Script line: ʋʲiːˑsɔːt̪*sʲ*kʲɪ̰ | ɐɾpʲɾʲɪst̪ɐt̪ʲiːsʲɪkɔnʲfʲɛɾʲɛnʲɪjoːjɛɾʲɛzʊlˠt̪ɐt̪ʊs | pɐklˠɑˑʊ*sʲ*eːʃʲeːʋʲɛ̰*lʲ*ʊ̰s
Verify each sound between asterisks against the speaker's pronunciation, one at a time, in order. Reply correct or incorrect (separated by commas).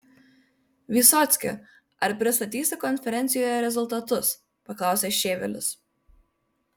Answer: correct, correct, correct